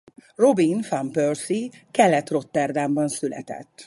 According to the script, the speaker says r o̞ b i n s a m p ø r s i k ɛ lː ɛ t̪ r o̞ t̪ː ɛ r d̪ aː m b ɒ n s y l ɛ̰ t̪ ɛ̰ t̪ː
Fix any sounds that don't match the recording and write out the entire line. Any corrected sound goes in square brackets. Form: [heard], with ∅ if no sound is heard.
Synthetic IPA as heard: r o̞ b i n [f] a m p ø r s i k ɛ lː ɛ t̪ r o̞ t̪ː ɛ r d̪ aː m b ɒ n s y l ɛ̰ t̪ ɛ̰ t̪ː